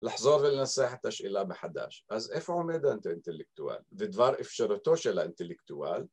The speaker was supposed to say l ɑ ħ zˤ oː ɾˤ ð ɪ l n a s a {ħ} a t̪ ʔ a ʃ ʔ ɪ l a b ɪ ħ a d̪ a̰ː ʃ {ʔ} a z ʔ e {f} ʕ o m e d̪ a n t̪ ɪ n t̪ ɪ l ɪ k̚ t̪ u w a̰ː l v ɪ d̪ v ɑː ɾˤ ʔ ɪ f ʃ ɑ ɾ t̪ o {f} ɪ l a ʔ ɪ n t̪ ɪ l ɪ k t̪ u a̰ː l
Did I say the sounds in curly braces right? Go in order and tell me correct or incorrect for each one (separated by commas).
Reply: correct, correct, correct, incorrect